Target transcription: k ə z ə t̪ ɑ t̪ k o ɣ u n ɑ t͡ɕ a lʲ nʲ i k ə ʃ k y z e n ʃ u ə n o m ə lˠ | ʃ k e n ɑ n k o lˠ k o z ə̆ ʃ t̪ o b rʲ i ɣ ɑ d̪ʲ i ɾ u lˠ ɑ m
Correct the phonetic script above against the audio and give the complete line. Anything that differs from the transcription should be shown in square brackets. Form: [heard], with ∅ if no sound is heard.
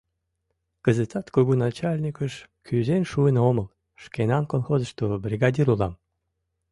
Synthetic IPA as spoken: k ə z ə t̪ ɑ t̪ k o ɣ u n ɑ t͡ɕ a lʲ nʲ i k ə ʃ k y z e n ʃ u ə n o m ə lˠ | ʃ k e n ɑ n k o lˠ [x] o z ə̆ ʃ t̪ o b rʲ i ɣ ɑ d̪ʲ i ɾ u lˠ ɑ m